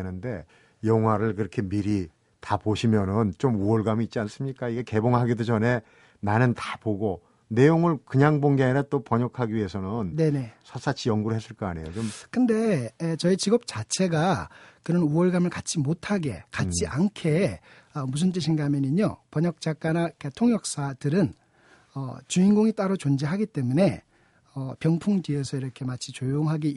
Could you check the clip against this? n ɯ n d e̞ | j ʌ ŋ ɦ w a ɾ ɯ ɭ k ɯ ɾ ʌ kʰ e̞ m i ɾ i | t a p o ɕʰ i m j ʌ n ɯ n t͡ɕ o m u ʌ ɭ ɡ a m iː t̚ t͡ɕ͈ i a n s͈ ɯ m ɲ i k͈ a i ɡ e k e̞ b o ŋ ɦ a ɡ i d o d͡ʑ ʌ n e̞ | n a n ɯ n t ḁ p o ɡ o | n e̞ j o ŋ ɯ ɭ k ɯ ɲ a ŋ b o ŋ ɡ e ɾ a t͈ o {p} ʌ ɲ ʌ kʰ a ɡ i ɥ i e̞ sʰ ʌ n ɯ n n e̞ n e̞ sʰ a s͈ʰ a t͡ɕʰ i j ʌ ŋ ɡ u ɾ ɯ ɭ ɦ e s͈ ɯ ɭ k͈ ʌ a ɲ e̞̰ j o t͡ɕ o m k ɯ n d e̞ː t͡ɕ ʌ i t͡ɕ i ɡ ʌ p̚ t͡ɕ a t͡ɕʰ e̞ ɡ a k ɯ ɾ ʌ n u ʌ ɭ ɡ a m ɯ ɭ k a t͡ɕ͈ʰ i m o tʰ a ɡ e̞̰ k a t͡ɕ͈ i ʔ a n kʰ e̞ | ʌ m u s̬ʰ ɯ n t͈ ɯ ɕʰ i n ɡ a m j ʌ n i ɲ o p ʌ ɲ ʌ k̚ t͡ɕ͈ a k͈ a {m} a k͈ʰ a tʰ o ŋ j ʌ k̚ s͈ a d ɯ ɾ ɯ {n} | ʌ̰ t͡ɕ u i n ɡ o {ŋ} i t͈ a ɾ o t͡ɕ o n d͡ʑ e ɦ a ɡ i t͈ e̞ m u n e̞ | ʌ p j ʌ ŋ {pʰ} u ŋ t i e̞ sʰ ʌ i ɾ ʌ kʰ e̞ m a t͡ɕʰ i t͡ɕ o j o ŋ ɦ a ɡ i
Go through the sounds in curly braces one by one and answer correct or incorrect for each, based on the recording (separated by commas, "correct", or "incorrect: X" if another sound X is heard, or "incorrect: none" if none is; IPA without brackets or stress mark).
correct, incorrect: n, correct, correct, correct